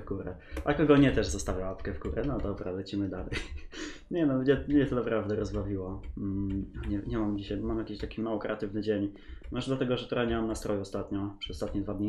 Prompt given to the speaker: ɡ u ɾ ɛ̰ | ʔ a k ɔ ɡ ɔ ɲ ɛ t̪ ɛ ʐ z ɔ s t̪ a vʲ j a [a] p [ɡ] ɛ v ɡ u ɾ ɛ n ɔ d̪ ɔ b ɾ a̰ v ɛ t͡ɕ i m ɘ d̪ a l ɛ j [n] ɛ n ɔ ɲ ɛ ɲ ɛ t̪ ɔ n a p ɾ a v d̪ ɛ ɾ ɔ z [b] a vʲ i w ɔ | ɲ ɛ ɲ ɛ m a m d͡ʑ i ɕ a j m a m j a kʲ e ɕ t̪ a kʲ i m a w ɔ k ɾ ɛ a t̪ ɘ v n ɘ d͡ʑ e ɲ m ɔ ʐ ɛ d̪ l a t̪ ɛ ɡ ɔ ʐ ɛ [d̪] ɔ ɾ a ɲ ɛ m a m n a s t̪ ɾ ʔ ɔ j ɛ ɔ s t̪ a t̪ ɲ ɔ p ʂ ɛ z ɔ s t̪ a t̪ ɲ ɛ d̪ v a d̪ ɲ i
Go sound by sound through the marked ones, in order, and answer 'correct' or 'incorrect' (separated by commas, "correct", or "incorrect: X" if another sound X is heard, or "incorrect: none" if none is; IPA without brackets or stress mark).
correct, incorrect: k, incorrect: ɲ, correct, incorrect: t̪